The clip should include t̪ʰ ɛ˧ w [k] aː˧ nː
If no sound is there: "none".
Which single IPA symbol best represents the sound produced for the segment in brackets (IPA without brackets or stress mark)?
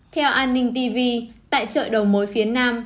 ʔ